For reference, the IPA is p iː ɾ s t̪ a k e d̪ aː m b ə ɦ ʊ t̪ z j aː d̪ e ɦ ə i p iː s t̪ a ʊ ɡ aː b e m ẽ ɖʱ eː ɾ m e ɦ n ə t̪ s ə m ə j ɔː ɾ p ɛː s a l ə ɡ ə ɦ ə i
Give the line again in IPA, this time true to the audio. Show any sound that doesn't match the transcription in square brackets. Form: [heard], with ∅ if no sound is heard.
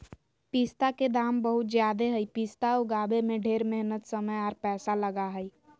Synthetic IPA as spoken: p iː [∅] s t̪ a k e d̪ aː m b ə ɦ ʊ t̪ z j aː d̪ e ɦ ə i p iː s t̪ a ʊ ɡ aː b e m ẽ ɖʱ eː ɾ m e ɦ n ə t̪ s ə m ə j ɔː ɾ p ɛː s a l ə ɡ [a] ɦ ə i